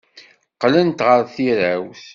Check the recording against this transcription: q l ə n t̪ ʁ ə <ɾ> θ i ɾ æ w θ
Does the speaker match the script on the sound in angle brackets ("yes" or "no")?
yes